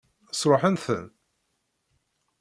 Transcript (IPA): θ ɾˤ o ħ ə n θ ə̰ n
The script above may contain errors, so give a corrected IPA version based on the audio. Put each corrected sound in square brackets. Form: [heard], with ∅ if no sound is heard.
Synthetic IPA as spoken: [s] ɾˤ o ħ ə n θ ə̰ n